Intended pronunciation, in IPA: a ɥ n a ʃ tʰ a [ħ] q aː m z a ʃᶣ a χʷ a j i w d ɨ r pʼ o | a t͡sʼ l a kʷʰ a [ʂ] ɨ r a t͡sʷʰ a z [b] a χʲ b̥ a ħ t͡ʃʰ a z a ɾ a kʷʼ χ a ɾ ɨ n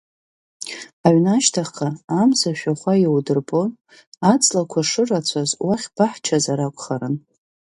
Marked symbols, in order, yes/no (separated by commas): no, yes, no